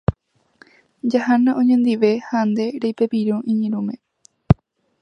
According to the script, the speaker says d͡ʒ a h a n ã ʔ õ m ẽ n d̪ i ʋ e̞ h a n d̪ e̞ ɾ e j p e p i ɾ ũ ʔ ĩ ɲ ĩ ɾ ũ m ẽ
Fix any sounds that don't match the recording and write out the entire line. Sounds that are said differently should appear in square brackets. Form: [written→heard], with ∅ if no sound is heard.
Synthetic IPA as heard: d͡ʒ a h a n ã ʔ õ [m→ɲ] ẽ n d̪ i ʋ e̞ h a n d̪ e̞ ɾ e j p e p i ɾ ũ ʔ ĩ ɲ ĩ ɾ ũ m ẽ